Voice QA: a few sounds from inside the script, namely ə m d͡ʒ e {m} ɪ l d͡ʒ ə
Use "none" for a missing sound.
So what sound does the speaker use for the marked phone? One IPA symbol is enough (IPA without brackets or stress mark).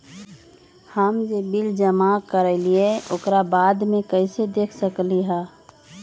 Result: b